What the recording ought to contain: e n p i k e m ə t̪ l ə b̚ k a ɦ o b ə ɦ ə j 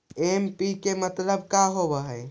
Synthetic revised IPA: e m p i k e m ə t̪ l ə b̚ k a ɦ o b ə ɦ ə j